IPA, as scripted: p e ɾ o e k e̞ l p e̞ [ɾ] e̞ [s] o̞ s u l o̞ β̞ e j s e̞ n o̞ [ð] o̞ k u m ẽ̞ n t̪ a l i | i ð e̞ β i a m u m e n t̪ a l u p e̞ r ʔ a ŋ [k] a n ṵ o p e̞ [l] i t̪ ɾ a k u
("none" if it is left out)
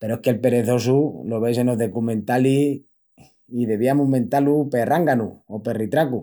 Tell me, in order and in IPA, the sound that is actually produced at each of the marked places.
ɾ, θ, ð, ɡ, r

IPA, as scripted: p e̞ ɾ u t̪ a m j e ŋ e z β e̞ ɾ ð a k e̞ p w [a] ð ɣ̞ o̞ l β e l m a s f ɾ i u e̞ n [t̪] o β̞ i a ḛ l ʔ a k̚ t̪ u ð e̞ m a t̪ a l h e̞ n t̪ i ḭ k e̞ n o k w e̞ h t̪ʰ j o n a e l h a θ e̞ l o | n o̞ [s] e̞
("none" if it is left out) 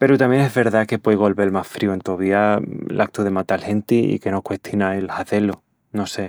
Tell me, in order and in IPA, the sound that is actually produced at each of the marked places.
e, t̪, s

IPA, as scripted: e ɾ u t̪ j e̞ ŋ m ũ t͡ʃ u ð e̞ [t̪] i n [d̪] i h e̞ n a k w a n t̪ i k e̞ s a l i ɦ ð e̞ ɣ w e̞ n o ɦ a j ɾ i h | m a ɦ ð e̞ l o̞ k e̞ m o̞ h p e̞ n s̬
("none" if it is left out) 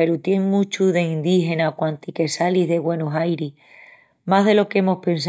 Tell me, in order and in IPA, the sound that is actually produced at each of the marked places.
none, d̪

